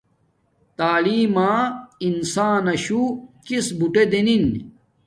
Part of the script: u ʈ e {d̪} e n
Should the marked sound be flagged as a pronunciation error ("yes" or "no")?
no